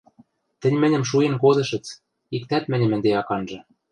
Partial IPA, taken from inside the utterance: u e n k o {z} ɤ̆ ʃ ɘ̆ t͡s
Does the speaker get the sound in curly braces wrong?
no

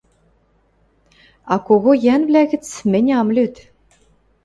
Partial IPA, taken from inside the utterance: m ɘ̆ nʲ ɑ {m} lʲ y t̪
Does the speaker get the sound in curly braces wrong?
no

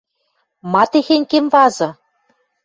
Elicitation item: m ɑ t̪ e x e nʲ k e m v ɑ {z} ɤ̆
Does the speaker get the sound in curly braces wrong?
no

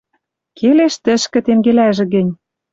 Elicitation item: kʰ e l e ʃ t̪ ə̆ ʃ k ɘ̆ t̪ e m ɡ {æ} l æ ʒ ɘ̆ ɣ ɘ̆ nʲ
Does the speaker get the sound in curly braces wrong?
yes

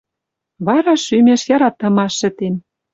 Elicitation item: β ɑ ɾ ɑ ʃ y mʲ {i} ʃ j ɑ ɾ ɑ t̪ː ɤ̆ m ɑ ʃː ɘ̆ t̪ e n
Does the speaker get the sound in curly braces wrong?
yes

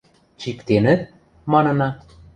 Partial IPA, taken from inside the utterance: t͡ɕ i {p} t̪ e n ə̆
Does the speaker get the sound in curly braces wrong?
yes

